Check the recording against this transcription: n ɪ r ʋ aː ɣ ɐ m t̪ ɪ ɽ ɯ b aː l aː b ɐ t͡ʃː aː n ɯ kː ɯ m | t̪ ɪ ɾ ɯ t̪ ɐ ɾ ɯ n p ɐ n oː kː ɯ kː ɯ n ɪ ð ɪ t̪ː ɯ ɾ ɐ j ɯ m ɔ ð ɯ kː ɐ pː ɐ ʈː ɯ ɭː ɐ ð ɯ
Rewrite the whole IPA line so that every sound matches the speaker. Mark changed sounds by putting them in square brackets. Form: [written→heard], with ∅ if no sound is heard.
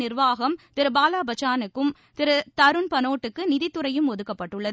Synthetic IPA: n ɪ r ʋ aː ɣ ɐ m t̪ ɪ [ɽ→ɾ] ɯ b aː l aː b ɐ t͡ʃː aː n ɯ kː ɯ m | t̪ ɪ ɾ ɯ t̪ ɐ ɾ ɯ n p ɐ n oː [kː→ʈː] ɯ kː ɯ n ɪ ð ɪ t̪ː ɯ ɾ ɐ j ɯ m ɔ ð ɯ kː ɐ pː ɐ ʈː ɯ ɭː ɐ ð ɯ

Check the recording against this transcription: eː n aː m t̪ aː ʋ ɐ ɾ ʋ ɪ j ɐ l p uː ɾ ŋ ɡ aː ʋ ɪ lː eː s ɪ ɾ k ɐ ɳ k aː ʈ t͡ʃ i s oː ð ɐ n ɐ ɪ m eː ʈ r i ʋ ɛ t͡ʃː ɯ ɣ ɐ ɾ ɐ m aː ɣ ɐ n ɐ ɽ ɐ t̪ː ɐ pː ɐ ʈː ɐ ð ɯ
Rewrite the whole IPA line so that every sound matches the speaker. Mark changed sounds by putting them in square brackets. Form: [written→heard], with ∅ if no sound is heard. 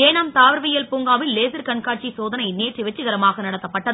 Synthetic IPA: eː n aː m t̪ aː ʋ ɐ ɾ ʋ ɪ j ɐ l p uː [ɾ→∅] ŋ ɡ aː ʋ ɪ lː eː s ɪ ɾ k ɐ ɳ k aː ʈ t͡ʃ i s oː ð ɐ n ɐ ɪ [m→n] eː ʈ r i ʋ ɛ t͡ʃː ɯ ɣ ɐ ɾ ɐ m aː ɣ ɐ n ɐ ɽ ɐ t̪ː ɐ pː ɐ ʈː ɐ ð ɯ

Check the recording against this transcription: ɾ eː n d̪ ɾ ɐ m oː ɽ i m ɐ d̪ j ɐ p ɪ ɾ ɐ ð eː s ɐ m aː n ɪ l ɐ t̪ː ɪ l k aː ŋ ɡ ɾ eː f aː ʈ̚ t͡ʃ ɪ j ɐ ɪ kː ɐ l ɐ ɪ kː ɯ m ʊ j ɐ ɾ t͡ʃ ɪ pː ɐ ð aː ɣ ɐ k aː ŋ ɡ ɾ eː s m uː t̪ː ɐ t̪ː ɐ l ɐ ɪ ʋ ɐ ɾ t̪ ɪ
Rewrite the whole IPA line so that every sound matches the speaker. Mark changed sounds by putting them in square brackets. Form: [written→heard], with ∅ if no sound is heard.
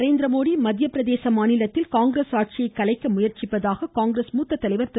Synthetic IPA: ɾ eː n d̪ ɾ ɐ m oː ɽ i m ɐ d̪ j ɐ p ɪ ɾ ɐ ð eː s ɐ m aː n ɪ l ɐ t̪ː ɪ l k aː ŋ ɡ ɾ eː [f→s] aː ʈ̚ t͡ʃ ɪ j ɐ ɪ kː ɐ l ɐ ɪ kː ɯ m ʊ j ɐ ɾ t͡ʃ ɪ pː ɐ ð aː ɣ ɐ k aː ŋ ɡ ɾ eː s m uː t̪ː ɐ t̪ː ɐ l ɐ ɪ ʋ ɐ ɾ t̪ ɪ

